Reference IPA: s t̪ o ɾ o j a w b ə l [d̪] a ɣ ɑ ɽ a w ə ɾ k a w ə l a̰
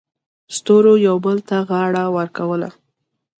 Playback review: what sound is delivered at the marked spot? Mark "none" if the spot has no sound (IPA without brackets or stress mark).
t̪